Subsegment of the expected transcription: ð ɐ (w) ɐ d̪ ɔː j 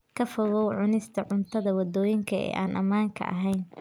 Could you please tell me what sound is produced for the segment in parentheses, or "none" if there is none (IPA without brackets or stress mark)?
w